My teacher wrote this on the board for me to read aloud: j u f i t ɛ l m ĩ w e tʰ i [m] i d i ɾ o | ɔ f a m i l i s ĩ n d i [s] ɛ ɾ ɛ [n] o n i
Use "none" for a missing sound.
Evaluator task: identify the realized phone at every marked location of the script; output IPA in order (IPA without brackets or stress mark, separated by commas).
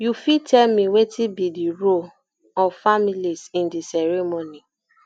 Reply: b, s, m